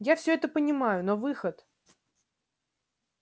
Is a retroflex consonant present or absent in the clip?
absent